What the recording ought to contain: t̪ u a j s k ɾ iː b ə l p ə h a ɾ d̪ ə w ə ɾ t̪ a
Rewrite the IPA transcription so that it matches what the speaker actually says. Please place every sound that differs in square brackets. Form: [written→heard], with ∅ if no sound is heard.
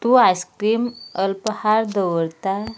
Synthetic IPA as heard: t̪ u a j s k ɾ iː [b→m] ə l p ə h a ɾ d̪ ə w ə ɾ t̪ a

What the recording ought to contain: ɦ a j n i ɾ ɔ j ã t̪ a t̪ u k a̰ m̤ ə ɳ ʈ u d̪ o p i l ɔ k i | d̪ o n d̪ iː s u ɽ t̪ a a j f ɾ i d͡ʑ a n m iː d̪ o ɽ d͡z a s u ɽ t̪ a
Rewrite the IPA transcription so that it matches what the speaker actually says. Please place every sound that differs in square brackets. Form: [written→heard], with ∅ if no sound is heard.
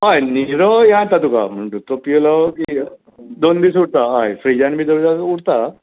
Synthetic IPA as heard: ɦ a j n i ɾ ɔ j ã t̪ a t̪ u k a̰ m̤ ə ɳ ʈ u [d̪→t̪] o p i l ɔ k i | d̪ o n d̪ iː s u ɽ t̪ a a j f ɾ i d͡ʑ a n m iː d̪ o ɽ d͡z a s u ɽ t̪ a

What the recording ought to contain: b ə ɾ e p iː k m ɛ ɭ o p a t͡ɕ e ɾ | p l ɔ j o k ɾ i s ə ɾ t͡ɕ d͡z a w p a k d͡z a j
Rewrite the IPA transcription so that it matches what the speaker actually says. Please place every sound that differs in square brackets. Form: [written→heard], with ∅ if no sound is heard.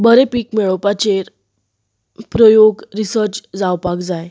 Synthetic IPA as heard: b ə ɾ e p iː k m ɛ ɭ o p a t͡ɕ e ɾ | p [l→ɾ] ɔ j o [k→ɡ] ɾ i s ə ɾ t͡ɕ d͡z a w p a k d͡z a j

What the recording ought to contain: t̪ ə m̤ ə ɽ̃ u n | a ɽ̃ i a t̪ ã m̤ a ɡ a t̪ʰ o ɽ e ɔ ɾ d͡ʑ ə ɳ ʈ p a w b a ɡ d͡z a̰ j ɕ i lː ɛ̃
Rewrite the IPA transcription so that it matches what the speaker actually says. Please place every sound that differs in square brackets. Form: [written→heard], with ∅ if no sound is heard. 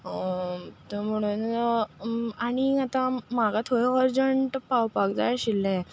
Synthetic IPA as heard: t̪ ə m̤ ə ɽ̃ u n | a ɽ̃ i a t̪ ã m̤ a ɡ a t̪ʰ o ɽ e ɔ ɾ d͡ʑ ə ɳ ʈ p a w [b→p] a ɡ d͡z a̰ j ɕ i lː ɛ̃

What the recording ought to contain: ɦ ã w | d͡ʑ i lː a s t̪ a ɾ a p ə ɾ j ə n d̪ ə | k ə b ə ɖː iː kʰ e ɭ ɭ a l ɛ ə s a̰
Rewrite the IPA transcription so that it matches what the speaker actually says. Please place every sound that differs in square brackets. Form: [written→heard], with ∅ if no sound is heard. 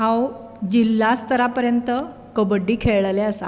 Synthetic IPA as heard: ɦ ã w | d͡ʑ i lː a s t̪ [a→ə] ɾ a p ə ɾ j ə n [d̪→t̪] ə | k ə b ə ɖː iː kʰ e ɭ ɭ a l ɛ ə s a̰

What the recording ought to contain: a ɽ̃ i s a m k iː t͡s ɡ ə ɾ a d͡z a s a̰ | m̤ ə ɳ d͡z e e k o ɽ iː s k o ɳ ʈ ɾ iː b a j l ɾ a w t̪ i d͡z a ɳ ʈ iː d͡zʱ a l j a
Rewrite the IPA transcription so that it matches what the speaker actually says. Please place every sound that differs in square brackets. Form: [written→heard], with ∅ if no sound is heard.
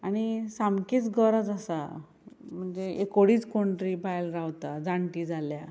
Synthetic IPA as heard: a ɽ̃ i s a m k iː t͡s ɡ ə ɾ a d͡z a s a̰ | m̤ ə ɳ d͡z e e k o ɽ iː [s→t͡s] k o ɳ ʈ ɾ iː b a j l ɾ a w t̪ [i→a] d͡z a ɳ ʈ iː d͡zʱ a l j a

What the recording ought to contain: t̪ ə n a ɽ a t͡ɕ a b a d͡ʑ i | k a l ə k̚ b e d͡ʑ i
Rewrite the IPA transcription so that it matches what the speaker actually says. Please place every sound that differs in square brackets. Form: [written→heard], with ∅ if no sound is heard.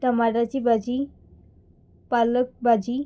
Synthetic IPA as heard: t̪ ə [n→m] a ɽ a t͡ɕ [a→i] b a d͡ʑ i | [k→p] a l ə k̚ b [e→a] d͡ʑ i

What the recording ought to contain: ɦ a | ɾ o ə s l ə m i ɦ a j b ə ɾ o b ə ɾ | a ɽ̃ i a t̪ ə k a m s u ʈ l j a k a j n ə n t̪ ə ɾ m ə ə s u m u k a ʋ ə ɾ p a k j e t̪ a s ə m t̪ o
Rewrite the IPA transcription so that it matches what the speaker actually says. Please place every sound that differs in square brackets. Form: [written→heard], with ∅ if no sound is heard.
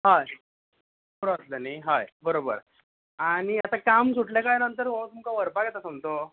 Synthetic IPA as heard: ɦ a | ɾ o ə s l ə [m→n] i ɦ a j b ə ɾ o b ə ɾ | a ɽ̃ i a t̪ [ə→a] k a m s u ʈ l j a k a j n ə n t̪ ə ɾ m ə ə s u m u k a ʋ ə ɾ p a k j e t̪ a s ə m t̪ o

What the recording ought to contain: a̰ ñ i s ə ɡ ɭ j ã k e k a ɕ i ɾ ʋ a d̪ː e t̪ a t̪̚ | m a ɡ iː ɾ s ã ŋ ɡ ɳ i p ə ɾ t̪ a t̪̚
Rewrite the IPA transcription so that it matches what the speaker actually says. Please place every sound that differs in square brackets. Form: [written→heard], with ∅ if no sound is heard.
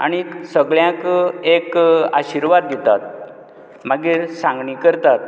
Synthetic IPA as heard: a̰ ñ i s ə ɡ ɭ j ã k e k a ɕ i ɾ ʋ a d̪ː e t̪ a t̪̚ | m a ɡ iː ɾ s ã ŋ ɡ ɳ i [p→k] ə ɾ t̪ a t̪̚

